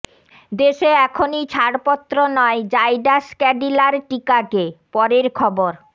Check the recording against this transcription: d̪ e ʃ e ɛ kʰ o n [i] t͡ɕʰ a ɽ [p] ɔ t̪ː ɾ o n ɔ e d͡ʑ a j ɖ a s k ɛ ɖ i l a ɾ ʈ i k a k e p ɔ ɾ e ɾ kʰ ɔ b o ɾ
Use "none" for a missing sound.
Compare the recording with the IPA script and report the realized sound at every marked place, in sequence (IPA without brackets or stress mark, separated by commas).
i, p